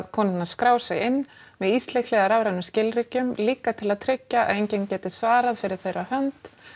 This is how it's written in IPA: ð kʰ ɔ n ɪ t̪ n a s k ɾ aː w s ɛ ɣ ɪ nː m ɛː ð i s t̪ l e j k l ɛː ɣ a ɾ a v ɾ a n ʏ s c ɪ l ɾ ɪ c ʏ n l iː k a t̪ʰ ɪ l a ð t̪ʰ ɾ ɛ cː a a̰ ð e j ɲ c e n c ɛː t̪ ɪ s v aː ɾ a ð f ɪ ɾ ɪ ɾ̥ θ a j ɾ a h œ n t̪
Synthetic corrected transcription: ð kʰ ɔ n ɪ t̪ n a s k ɾ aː w s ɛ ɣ ɪ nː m ɛ ð i s t̪ l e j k l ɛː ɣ a ɾ a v ɾ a n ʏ s c ɪ l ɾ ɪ c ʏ m l iː k a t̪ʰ ɪ l a ð t̪ʰ ɾ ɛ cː a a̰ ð e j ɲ c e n c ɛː t̪ ɪ s v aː ɾ a ð f ɪ ɾ ɪ ɾ̥ θ e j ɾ a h œ n t̪